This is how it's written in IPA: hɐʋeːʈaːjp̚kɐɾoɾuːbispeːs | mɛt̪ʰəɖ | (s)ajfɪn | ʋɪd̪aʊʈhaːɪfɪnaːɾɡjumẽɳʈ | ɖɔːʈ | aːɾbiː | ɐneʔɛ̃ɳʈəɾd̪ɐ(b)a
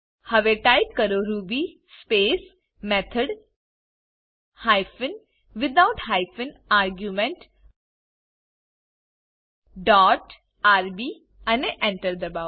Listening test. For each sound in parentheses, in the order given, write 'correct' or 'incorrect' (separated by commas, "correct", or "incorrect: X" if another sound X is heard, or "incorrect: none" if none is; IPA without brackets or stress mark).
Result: incorrect: h, correct